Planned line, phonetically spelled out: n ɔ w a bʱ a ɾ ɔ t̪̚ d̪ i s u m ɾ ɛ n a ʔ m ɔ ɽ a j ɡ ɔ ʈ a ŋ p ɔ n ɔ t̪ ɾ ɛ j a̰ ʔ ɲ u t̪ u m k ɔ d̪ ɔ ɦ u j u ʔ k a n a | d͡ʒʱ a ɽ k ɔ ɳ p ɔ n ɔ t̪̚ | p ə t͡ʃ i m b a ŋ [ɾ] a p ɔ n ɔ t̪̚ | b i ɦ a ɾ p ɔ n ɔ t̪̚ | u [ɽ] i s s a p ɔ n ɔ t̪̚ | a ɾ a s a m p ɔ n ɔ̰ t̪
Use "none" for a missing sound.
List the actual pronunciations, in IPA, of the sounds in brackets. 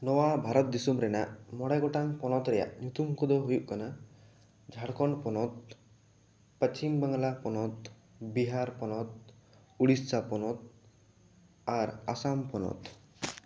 l, ɽ

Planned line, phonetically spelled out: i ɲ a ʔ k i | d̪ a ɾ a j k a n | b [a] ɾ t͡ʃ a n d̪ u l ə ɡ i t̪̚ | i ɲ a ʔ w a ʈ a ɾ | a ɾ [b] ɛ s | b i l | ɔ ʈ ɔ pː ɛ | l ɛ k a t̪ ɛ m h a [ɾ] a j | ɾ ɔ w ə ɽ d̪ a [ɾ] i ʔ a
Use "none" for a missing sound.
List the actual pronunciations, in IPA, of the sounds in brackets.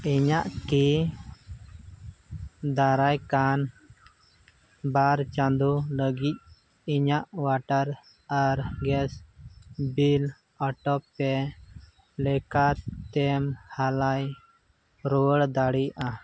a, ɡ, l, ɽ

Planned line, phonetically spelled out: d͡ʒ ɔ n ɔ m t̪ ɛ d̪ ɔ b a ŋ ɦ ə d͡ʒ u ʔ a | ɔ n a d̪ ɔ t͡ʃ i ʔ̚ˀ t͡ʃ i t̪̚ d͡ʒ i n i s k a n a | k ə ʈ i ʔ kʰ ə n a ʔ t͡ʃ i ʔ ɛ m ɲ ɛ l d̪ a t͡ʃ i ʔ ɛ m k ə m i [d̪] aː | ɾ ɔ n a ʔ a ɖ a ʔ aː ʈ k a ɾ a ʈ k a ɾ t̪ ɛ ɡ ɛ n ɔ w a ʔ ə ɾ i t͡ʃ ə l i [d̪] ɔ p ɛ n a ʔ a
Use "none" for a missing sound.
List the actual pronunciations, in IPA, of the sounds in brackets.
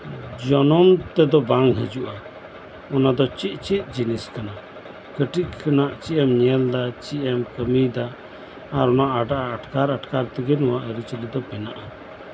d̪, d̪

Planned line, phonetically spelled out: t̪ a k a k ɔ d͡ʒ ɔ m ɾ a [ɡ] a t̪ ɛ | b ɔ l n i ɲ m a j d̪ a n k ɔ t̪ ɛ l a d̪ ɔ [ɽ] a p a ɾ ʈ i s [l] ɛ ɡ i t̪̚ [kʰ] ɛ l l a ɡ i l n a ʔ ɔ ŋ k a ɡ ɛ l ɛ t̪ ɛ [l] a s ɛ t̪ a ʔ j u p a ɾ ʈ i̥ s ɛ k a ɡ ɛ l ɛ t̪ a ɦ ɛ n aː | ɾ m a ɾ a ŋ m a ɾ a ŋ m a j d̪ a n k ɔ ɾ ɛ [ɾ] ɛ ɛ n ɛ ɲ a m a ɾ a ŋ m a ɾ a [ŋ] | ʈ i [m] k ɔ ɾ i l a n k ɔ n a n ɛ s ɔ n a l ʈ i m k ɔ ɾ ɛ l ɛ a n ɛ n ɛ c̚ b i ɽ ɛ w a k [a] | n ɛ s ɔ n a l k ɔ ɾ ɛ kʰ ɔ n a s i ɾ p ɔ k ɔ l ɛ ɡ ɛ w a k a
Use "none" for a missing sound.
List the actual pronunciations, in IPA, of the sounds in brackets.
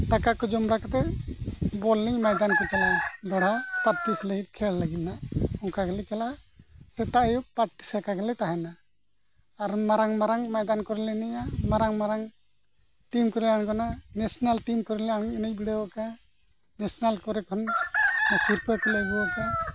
k, ɽ, l, kʰ, l, l, ŋ, m, a

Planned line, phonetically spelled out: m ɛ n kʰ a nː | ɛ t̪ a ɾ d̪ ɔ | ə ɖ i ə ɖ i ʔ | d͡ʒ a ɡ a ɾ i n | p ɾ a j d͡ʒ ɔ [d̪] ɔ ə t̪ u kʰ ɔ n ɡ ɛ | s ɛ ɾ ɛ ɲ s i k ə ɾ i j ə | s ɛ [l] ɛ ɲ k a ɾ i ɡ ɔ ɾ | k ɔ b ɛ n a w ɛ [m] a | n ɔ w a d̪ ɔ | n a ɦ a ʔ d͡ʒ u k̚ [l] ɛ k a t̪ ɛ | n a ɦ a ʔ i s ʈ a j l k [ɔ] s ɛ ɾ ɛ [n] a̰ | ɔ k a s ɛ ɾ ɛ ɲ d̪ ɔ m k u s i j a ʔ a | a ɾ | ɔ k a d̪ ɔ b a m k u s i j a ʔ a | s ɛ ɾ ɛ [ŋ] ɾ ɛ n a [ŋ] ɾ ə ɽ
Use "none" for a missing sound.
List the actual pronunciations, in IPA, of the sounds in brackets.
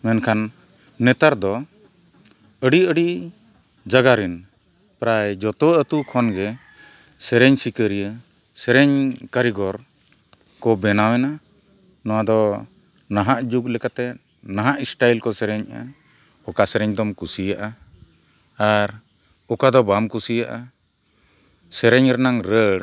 t̪, ɾ, n, l, ɔ, ɲ, ɲ, ŋ

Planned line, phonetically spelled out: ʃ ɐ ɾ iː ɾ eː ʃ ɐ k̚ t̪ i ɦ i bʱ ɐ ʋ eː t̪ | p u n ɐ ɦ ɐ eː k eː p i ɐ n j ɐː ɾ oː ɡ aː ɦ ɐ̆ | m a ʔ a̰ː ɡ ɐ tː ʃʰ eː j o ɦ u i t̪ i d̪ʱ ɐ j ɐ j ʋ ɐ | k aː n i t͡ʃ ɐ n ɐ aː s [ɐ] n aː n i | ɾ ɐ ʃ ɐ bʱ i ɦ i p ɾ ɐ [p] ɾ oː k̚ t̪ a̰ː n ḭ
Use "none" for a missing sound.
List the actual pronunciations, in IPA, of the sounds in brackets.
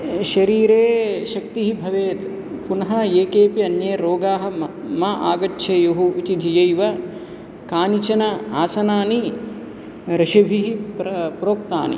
ɐ, p

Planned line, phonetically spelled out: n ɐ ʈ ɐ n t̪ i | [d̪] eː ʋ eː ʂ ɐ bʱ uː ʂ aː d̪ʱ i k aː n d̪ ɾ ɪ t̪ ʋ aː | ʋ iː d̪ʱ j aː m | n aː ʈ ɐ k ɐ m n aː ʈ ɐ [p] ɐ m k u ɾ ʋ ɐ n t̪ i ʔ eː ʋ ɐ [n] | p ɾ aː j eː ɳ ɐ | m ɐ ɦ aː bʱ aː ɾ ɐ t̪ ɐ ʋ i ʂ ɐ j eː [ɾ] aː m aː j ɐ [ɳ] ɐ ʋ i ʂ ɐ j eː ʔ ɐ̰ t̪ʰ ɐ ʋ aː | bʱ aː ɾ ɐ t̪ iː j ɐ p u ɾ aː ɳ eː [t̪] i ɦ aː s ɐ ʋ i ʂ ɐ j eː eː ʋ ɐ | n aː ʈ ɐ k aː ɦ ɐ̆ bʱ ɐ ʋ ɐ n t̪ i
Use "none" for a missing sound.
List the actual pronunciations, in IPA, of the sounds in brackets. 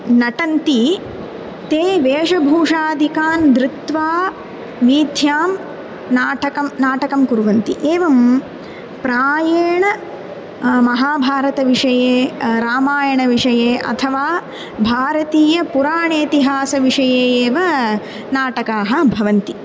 t̪, k, m, ɾ, ɳ, t̪

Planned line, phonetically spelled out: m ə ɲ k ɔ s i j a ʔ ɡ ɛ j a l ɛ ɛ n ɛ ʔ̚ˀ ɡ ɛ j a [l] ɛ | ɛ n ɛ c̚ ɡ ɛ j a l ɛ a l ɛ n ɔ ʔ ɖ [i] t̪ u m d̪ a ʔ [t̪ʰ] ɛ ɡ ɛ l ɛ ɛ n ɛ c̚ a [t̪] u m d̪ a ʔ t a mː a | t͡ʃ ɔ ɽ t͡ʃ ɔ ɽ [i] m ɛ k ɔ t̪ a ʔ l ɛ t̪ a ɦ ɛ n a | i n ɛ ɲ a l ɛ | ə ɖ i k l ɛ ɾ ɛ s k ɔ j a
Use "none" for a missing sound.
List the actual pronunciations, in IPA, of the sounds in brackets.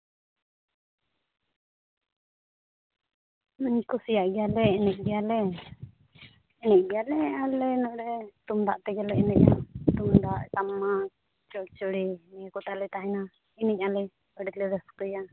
l, ɛ, t̪, t̪, i

